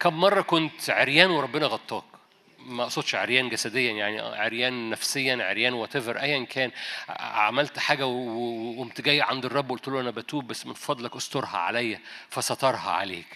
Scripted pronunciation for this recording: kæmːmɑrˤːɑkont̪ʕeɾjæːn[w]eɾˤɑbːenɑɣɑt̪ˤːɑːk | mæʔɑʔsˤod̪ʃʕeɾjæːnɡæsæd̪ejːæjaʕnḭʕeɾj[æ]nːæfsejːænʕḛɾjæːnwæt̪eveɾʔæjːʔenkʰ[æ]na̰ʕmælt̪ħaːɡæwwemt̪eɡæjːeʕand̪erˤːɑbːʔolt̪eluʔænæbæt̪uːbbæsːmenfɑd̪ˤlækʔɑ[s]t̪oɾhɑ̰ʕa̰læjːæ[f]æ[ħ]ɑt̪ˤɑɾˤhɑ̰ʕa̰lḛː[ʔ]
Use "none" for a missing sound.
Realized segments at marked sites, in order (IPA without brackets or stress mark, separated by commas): w, æː, æː, s, f, s, k